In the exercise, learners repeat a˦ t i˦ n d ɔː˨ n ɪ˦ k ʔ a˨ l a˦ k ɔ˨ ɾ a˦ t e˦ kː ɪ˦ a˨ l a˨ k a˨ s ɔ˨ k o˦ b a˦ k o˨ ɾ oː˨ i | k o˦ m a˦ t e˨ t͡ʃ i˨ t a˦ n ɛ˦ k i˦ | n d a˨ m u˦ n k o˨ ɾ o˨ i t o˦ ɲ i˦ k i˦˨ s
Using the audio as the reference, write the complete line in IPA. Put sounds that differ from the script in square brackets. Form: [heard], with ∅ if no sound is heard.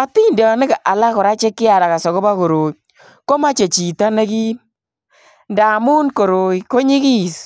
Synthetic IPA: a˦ t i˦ n d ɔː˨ n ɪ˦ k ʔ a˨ l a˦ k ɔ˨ ɾ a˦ [t͡ʃ] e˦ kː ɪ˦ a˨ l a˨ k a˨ s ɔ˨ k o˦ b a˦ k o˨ ɾ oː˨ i | k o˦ m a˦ [t͡ʃ] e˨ t͡ʃ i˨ t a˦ n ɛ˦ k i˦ | n d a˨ m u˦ n k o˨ ɾ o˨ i [k] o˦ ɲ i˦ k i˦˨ s